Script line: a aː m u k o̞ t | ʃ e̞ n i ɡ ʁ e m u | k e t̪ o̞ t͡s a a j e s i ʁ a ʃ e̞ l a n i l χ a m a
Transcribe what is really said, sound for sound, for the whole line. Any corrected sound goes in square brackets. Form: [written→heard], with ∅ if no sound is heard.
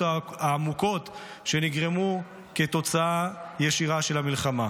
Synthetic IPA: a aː m u k o̞ t | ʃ e̞ n i ɡ ʁ e m u | k e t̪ o̞ t͡s a a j e [s→ʃ] i ʁ a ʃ e̞ l a [n→m] i l χ a m a

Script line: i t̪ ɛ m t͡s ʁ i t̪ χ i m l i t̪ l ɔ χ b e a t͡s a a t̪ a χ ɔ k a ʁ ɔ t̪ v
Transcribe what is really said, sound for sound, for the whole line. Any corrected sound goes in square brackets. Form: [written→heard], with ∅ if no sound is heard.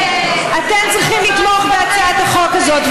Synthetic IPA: [i→a] t̪ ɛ m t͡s ʁ i [t̪→∅] χ i m l i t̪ l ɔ χ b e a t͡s a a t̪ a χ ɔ k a [ʁ→z] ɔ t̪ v

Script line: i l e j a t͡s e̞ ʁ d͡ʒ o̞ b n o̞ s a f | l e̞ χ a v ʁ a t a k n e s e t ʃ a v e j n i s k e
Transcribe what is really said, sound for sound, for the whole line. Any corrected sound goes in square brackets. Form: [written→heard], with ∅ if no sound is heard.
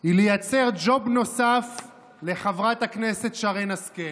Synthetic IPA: i l e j a t͡s e̞ ʁ d͡ʒ o̞ b n o̞ s a f | l e̞ χ a v ʁ a t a k n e s e t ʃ a [v→ʁ] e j n [i→a] s k e

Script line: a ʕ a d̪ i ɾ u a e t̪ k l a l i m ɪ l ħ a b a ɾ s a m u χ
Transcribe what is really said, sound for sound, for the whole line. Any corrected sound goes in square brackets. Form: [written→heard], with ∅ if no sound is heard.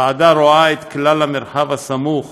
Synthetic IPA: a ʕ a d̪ [i→a] ɾ [u→o] a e t̪ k l a l [i→a] m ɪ [l→ɾ] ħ a [b→v] a [ɾ→∅] s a m u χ

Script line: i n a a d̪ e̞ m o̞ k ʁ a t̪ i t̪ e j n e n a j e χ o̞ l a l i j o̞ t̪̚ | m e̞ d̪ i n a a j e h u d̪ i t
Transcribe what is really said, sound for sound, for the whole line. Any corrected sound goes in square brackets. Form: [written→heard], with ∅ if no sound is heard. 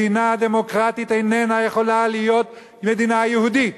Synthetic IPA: i n a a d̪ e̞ m o̞ k ʁ a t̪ i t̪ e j n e n a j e χ o̞ l a l i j o̞ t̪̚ | m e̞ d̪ i n a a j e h u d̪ i t

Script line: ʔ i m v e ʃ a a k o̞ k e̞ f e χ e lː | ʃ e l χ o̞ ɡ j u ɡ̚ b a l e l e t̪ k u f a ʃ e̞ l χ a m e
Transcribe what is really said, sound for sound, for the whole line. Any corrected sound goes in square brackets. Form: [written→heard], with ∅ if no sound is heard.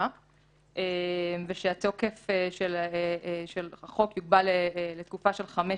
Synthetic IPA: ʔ [i→e] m v e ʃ [a→e] a [k→t] o̞ k e̞ f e [χ→ʃ] e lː | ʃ e l χ o̞ [ɡ→k] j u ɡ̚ b a l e l e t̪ k u f a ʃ e̞ l χ a m e

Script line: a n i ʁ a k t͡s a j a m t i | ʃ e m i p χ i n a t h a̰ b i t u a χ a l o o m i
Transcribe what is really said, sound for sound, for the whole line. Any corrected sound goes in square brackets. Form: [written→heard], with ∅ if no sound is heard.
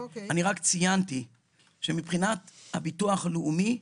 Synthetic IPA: a n i ʁ a k t͡s [a→i] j a [m→n] t i | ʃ e m i p χ i n a t h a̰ b i t u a χ a l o [o→u] m i

